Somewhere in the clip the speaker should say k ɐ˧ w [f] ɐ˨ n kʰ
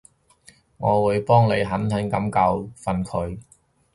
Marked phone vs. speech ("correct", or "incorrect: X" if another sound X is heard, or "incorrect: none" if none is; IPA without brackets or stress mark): correct